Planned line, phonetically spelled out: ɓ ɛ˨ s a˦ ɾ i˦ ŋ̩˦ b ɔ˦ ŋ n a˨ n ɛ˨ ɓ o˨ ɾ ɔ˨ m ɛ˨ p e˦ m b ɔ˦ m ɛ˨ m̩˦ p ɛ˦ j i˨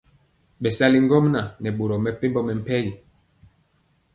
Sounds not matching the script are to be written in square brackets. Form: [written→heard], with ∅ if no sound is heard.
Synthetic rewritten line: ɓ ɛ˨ s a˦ [ɾ→l] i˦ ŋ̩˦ [b→ɡ] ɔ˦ [ŋ→m] n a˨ n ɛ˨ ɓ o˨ ɾ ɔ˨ m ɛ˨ p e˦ m b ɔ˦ m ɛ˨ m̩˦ p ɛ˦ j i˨